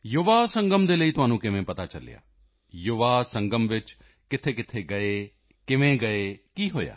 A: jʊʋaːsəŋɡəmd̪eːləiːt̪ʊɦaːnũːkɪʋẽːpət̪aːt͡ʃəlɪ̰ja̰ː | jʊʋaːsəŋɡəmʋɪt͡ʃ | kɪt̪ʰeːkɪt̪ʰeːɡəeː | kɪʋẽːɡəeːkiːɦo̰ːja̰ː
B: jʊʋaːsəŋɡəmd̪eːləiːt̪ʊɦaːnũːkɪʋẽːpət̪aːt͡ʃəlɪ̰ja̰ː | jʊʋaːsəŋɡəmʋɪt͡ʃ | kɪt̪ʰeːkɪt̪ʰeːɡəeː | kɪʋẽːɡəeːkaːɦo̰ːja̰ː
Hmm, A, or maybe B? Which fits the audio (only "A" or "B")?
A